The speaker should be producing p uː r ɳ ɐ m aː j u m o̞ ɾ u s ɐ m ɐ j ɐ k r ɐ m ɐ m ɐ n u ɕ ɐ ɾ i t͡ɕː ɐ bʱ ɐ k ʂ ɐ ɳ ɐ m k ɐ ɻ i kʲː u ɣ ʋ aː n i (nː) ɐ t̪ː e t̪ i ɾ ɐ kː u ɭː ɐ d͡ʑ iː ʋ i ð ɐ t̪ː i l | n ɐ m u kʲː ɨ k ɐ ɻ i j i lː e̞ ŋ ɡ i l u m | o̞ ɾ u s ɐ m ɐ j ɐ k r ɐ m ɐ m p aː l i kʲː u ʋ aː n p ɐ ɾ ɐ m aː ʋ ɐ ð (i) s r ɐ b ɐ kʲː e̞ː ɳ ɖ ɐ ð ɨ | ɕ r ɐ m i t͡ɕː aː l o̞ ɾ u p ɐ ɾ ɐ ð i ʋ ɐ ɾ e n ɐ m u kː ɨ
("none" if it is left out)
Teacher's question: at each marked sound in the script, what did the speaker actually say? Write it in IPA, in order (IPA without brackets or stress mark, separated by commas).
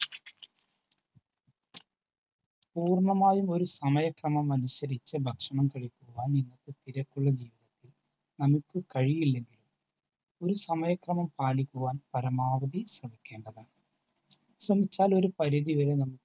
nː, i